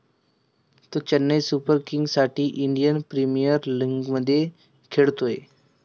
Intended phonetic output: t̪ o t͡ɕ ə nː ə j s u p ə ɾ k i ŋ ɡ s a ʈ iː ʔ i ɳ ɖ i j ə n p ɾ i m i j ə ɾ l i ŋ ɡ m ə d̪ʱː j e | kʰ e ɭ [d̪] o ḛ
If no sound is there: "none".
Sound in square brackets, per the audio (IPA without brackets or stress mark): t̪